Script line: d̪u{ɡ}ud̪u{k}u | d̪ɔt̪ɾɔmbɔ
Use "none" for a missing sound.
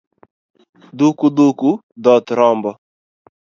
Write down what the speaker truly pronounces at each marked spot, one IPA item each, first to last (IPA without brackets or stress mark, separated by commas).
k, k